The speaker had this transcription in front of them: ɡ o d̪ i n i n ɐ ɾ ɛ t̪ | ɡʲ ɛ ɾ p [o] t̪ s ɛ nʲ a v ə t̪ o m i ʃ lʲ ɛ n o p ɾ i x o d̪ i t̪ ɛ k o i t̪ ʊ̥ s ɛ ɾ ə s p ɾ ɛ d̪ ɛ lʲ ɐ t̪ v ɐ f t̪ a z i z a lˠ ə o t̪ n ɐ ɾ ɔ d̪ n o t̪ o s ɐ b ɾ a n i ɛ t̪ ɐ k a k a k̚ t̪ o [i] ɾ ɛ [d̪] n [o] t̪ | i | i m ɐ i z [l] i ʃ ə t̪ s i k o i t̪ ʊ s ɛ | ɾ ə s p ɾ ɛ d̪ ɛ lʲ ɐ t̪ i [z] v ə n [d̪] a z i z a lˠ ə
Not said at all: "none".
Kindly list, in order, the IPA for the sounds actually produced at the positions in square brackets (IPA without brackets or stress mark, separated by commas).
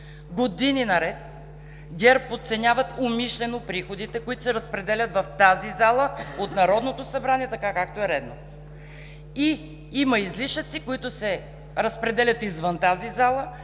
o, ɛ, d̪, o, l, z, t̪